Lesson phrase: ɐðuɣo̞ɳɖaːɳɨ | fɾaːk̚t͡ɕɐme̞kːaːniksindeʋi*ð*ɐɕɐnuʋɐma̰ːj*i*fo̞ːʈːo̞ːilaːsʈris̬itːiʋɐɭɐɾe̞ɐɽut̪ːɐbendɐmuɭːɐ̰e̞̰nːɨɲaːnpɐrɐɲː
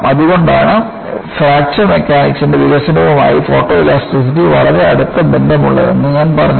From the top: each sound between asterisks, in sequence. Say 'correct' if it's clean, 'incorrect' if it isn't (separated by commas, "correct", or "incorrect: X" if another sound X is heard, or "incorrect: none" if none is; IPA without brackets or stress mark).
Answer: incorrect: ɣ, correct